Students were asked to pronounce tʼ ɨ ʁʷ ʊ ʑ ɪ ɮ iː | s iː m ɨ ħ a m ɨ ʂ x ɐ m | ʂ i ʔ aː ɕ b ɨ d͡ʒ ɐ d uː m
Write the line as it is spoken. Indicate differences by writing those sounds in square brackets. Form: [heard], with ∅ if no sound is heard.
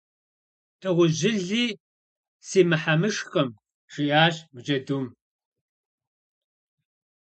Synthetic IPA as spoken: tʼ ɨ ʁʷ ʊ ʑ ɪ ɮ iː | s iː m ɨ ħ a m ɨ ʂ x ɐ m | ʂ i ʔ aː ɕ [m] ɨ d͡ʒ ɐ d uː m